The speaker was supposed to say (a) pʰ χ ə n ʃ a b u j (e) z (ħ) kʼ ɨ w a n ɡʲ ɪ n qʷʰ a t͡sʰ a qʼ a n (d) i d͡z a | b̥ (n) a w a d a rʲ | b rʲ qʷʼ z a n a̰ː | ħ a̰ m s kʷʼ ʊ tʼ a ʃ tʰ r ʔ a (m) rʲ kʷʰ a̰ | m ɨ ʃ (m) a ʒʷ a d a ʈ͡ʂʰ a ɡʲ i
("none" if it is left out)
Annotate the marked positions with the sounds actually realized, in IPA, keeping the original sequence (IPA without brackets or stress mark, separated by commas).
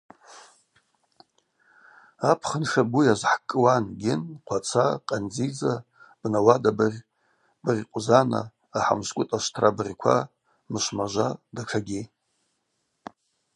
a, a, ħ, d͡z, n, b, m